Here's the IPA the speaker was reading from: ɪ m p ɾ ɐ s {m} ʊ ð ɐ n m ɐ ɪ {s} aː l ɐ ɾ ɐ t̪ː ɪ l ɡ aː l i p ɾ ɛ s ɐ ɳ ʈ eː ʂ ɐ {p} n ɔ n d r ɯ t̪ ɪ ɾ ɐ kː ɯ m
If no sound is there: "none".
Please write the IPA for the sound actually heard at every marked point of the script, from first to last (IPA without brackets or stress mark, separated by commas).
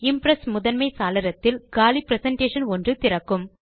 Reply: m, s, none